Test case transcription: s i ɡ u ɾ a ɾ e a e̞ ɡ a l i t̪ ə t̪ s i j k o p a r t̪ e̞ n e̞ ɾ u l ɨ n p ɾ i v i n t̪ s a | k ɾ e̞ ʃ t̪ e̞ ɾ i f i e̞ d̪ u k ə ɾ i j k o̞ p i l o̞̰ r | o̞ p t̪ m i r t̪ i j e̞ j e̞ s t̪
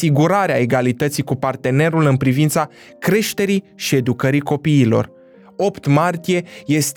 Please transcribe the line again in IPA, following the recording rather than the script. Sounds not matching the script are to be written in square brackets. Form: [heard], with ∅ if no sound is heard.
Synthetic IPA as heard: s i ɡ u ɾ a ɾ e a e̞ ɡ a l i t̪ ə t̪ s i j k [u] p a r t̪ e̞ n e̞ ɾ u l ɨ n p ɾ i v i n t̪ s a | k ɾ e̞ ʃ t̪ e̞ ɾ i [ʃ] i e̞ d̪ u k ə ɾ i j k o̞ p [iː] l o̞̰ r | o̞ p t̪ m [a] r t̪ i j e̞ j e̞ s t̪